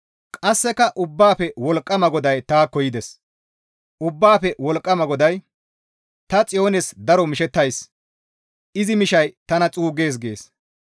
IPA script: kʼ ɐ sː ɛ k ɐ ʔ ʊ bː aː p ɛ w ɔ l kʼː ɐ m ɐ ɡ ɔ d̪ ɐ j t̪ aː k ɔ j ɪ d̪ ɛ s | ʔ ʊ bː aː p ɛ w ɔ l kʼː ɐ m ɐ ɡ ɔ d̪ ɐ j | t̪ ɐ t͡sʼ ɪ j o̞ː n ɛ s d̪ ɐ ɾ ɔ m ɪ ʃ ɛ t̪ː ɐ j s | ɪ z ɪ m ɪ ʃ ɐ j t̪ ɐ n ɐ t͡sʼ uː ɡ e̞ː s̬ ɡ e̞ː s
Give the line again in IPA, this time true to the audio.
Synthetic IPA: kʼ ɐ sː ɛ k ɐ ʔ ʊ bː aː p ɛ w ɔ l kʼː ɐ m ɐ ɡ ɔ d̪ ɐ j t̪ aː k ɔ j ɪ d̪ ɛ s | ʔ ʊ bː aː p ɛ w ɔ l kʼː ɐ m ɐ ɡ ɔ d̪ ɐ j | t̪ ɐ t͡sʼ ɪ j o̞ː n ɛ s d̪ ɐ ɾ ɔ m ɪ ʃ ɛ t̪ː ɐ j s | ɪ z ɪ m ɪ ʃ ɐ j t̪ ɐ n ɐ t͡sʼ uː ɡ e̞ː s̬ ɡ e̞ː s

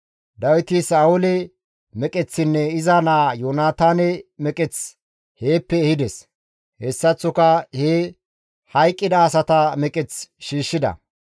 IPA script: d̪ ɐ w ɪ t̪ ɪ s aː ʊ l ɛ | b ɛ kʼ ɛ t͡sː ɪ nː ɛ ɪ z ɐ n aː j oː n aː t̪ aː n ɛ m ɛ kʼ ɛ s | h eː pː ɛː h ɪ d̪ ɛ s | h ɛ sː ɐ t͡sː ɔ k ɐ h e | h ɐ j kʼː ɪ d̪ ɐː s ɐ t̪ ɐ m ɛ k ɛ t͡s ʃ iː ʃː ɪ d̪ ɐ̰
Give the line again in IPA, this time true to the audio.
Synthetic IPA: d̪ ɐ w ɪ t̪ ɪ s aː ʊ l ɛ | m ɛ kʼ ɛ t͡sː ɪ nː ɛ ɪ z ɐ n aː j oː n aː t̪ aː n ɛ m ɛ kʼ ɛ t͡s | h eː pː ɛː h ɪ d̪ ɛ s | h ɛ sː ɐ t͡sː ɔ k ɐ h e | h ɐ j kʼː ɪ d̪ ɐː s ɐ t̪ ɐ m ɛ kʼ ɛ t͡s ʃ iː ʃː ɪ d̪ ɐ̰

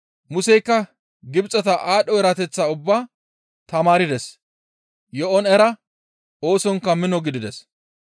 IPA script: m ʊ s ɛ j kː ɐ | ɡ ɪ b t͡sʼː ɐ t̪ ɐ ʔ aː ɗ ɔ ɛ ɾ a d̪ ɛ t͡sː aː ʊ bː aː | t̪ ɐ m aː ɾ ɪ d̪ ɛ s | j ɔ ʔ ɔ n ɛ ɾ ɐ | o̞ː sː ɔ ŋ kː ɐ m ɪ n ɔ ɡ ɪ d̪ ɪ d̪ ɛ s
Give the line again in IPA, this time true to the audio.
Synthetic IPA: m ʊ s ɛ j kː ɐ | ɡ ɪ b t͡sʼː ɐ t̪ ɐ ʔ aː ɗ ɔ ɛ ɾ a t̪ ɛ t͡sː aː ʊ bː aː | t̪ ɐ m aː ɾ ɪ d̪ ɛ s | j ɔ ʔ ɔ n ɛ ɾ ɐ | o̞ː s ɔ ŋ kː ɐ m ɪ n ɔ ɡ ɪ d̪ ɪ d̪ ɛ s

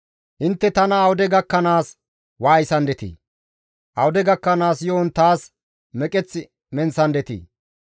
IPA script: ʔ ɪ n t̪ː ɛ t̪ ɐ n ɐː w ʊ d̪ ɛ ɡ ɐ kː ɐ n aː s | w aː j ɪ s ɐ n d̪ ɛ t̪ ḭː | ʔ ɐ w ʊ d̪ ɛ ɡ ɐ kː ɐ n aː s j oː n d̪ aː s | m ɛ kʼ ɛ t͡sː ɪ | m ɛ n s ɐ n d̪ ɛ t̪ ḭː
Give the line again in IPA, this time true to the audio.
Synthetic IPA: ʔ ɪ n t̪ː ɛ t̪ ɐ n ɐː w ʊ d̪ ɛ ɡ ɐ kː ɐ n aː s | w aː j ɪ s ɐ n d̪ ɛ t̪ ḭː | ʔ ɐ w ʊ d̪ ɛ ɡ ɐ kː ɐ n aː s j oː n t̪ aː s | m ɛ kʼ ɛ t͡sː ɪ | m ɛ n s ɐ n d̪ ɛ t̪ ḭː

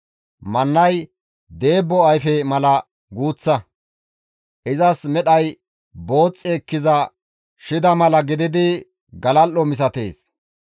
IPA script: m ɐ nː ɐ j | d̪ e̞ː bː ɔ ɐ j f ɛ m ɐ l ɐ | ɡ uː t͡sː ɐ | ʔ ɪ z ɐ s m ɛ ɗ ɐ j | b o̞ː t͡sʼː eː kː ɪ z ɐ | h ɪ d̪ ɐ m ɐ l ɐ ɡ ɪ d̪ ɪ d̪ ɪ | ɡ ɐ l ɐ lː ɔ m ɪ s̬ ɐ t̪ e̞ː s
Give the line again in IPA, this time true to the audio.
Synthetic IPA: m ɐ nː ɐ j | d̪ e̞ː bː ɔ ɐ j f ɛ m ɐ l ɐ | ɡ uː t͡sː ɐ | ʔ ɪ z ɐ s m ɛ ɗ ɐ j | b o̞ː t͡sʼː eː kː ɪ z ɐ | ʃ ɪ d̪ ɐ m ɐ l ɐ ɡ ɪ d̪ ɪ d̪ ɪ | ɡ ɐ l ɐ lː ɔ m ɪ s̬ ɐ t̪ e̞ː s

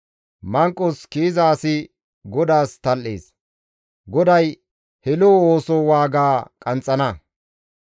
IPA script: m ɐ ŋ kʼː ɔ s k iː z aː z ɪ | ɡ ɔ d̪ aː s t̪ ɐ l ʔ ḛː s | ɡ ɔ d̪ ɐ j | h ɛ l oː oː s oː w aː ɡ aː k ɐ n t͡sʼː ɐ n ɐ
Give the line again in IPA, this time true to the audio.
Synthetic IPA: m ɐ ŋ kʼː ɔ s k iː z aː s ɪ | ɡ ɔ d̪ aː s t̪ ɐ l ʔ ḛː s | ɡ ɔ d̪ ɐ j | h ɛ l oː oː s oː w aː ɡ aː kʼ ɐ n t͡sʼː ɐ n ɐ

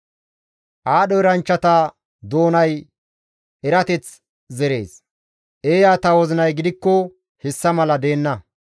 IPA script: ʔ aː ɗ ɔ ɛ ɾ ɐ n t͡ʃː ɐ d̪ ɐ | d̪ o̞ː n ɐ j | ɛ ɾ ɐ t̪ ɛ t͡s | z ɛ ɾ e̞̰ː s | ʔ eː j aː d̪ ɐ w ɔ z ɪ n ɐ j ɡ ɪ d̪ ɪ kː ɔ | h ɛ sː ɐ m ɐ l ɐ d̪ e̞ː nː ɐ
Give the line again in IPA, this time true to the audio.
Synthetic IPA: ʔ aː ɗ ɔ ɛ ɾ ɐ n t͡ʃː ɐ t̪ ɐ | d̪ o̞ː n ɐ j | ɛ ɾ ɐ t̪ ɛ t͡s | z ɛ ɾ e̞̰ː s | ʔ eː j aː t̪ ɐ w ɔ z ɪ n ɐ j ɡ ɪ d̪ ɪ kː ɔ | h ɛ sː ɐ m ɐ l ɐ d̪ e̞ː nː ɐ

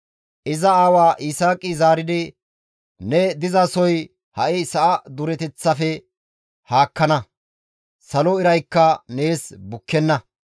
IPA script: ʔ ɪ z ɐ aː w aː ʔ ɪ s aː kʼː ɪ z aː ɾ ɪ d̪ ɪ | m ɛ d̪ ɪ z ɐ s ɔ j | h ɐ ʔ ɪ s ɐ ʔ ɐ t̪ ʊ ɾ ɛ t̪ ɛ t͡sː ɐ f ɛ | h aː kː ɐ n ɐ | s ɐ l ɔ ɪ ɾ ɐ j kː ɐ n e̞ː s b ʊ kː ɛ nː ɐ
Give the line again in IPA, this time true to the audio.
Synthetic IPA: ʔ ɪ z ɐ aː w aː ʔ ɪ s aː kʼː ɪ z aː ɾ ɪ d̪ ɪ | n ɛ d̪ ɪ z ɐ s ɔ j | h ɐ ʔ ɪ s ɐ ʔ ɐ d̪ ʊ ɾ ɛ t̪ ɛ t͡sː ɐ f ɛ | h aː kː ɐ n ɐ | s ɐ l ɔ ɪ ɾ ɐ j kː ɐ n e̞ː s b ʊ kː ɛ nː ɐ

